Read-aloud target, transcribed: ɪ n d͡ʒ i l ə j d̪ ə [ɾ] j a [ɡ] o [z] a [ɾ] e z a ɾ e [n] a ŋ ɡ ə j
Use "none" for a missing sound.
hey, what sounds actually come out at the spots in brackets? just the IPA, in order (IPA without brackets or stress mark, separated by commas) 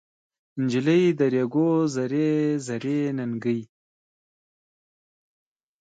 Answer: ɾ, ɡ, z, ɾ, n